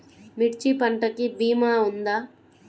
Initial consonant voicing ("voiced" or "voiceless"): voiced